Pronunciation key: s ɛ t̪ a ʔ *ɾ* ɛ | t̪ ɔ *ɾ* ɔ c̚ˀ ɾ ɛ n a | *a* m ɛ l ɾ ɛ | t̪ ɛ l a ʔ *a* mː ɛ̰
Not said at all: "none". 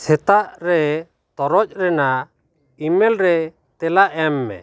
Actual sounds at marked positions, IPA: ɾ, ɾ, i, ɛ

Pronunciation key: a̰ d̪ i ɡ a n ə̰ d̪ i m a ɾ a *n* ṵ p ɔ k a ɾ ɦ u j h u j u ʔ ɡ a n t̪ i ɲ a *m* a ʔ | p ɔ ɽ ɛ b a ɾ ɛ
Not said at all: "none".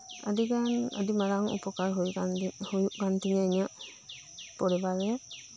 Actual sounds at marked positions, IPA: ŋ, ɲ

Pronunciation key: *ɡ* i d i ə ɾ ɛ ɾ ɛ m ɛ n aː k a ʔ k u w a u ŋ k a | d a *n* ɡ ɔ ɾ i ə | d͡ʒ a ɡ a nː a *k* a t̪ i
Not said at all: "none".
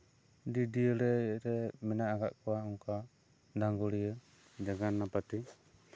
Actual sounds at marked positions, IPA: d, ŋ, p

